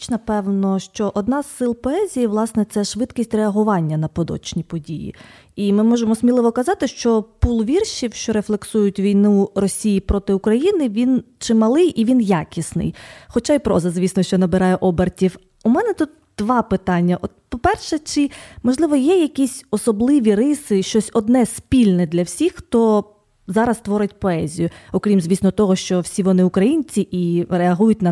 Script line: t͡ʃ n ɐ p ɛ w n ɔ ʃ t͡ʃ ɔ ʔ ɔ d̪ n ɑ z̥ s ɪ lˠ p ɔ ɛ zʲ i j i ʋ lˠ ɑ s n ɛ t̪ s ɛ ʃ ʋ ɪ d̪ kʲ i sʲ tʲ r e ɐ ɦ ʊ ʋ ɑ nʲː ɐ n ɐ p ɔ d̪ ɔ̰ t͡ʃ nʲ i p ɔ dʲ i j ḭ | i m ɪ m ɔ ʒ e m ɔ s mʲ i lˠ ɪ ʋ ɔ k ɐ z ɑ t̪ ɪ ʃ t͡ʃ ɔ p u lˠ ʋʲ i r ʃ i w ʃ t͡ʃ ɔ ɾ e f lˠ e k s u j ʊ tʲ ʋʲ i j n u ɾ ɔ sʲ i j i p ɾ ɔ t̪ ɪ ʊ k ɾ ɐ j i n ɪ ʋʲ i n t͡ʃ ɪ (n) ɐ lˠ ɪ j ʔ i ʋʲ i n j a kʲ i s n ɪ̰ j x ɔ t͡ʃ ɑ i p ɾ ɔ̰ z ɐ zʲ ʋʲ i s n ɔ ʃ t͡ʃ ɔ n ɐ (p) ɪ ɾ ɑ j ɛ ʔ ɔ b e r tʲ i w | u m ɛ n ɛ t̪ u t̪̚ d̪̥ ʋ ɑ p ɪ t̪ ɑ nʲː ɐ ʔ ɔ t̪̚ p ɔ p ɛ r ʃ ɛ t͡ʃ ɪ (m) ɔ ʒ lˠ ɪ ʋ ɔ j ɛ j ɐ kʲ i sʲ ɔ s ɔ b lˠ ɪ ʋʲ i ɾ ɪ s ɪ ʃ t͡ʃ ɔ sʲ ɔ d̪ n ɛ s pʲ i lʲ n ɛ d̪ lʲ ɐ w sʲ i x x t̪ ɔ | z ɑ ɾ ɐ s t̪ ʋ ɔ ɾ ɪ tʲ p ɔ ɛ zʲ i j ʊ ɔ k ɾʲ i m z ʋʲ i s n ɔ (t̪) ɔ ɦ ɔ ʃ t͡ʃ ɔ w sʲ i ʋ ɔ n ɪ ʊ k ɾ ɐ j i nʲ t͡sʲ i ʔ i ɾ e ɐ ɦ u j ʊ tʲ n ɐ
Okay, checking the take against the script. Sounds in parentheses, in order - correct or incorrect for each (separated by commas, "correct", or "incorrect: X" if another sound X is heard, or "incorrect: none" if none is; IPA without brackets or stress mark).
incorrect: m, incorrect: b, correct, correct